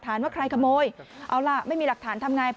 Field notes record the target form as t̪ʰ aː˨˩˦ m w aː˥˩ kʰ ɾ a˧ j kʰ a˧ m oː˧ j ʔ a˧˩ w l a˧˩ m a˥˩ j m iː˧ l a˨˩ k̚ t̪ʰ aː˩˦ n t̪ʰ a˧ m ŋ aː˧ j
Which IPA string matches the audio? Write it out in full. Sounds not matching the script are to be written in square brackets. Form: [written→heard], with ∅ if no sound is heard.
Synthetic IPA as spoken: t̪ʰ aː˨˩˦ [m→n] w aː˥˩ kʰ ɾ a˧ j kʰ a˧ m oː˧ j ʔ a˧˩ w l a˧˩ m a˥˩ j m iː˧ l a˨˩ k̚ t̪ʰ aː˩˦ n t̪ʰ a˧ m ŋ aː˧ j